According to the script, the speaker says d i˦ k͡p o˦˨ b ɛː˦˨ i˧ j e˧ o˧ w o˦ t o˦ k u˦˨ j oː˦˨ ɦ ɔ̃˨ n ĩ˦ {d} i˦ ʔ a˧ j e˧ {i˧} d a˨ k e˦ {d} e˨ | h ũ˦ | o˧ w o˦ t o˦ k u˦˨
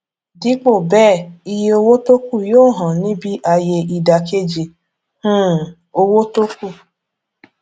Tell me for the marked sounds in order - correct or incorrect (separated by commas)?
incorrect, correct, incorrect